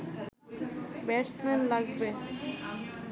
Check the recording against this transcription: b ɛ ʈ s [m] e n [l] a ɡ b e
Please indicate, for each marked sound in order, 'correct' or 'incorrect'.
correct, correct

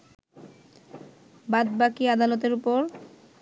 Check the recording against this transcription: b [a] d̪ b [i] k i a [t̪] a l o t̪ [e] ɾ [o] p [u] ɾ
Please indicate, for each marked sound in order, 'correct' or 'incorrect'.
correct, incorrect: a, incorrect: d̪, correct, incorrect: u, incorrect: o

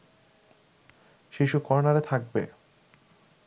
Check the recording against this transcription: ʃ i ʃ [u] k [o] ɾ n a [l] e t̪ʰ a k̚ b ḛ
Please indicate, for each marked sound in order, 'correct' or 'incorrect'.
correct, incorrect: ɔ, incorrect: ɾ

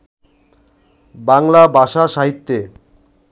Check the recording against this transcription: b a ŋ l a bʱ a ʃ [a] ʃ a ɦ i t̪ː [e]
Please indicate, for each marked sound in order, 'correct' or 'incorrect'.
correct, correct

